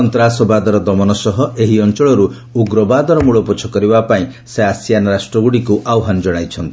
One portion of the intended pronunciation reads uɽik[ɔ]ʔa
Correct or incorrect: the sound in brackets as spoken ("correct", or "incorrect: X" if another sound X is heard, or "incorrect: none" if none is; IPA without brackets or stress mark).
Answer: incorrect: u